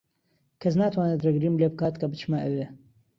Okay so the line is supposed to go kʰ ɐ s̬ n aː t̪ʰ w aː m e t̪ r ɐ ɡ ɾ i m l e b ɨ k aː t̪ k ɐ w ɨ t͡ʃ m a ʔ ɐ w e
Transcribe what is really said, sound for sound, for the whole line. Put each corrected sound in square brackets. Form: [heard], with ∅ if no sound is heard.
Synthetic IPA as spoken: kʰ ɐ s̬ n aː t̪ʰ w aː [n] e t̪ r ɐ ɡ ɾ i m l e b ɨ k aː t̪ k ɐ [b] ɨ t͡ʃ m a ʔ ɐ w e

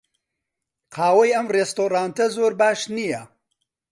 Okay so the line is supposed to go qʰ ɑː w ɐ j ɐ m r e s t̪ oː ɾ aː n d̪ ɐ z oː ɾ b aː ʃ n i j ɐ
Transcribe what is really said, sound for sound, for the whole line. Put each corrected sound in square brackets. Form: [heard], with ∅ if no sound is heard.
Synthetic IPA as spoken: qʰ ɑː w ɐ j ɐ m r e s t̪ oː ɾ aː n [t̪] ɐ z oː ɾ b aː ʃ n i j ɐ

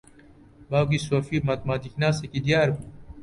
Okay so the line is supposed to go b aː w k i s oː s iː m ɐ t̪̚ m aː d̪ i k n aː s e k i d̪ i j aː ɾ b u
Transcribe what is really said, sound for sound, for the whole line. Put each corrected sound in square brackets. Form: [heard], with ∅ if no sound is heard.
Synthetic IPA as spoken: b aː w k i s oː [f] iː m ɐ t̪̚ m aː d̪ i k n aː s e k i d̪ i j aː ɾ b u

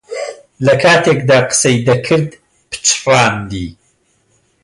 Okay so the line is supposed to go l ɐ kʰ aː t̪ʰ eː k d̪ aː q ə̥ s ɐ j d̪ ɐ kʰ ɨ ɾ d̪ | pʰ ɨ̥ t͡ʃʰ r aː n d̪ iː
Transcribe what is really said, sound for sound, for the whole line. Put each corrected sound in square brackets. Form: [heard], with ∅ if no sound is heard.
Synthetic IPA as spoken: l ɐ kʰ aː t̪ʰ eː k d̪ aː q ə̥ s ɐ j d̪ ɐ kʰ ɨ ɾ d̪ | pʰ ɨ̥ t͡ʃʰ r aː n d̪ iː

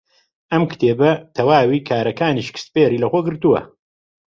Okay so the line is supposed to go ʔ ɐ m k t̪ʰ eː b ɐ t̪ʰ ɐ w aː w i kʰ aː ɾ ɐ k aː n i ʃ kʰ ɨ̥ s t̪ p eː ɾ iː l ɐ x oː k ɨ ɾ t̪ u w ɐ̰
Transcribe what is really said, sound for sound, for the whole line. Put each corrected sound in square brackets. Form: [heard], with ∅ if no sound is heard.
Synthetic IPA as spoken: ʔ ɐ m k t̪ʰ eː b ɐ t̪ʰ ɐ w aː w i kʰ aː ɾ ɐ k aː n i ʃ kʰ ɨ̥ s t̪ p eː ɾ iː l ɐ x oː [ɡ] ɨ ɾ t̪ u w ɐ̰

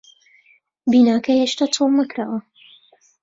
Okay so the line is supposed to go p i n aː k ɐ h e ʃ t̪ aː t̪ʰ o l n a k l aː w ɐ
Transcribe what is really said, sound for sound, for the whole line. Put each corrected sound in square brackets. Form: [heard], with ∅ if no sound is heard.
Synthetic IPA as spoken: [b] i n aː k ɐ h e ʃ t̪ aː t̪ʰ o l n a k [ɾ] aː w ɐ

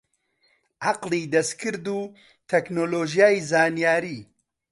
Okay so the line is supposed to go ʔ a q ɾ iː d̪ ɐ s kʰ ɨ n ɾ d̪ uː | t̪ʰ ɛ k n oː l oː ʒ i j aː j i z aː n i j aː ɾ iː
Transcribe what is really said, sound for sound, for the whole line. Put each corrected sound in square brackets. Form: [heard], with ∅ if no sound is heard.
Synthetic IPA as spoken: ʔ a q [l] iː d̪ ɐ s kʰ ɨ [∅] ɾ d̪ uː | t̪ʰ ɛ k n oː l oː ʒ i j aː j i z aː n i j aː ɾ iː

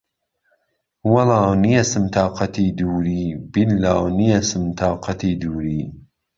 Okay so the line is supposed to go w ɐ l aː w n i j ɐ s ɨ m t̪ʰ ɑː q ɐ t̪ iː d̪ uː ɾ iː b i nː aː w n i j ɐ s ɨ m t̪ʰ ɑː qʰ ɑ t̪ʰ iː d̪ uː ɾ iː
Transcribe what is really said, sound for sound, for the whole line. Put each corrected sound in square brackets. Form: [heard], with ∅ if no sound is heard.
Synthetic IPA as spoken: w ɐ l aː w n i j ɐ s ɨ m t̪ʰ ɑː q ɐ t̪ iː d̪ uː ɾ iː b i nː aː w n i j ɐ s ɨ m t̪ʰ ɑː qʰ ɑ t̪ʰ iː d̪ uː ɾ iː

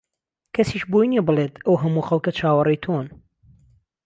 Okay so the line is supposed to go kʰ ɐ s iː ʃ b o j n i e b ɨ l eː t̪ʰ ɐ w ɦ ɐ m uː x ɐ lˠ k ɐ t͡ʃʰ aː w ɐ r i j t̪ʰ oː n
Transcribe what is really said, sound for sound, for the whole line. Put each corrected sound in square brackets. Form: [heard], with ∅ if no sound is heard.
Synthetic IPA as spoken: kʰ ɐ s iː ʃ b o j n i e b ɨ l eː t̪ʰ ɐ w ɦ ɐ m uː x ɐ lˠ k ɐ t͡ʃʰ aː w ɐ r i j t̪ʰ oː n

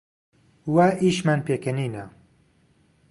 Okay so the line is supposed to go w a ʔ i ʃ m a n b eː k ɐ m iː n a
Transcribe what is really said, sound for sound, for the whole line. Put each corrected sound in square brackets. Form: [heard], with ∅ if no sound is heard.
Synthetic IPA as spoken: w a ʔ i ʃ m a n [p] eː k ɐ [n] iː n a

